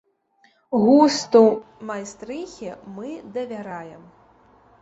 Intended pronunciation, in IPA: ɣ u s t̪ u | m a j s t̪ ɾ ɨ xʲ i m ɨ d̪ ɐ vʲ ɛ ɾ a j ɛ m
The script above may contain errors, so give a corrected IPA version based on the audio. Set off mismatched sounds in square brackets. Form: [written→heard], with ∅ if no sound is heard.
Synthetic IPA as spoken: ɣ u s t̪ u | m a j s t̪ ɾ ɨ xʲ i m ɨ d̪ ɐ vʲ [ɛ→a] ɾ a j ɛ m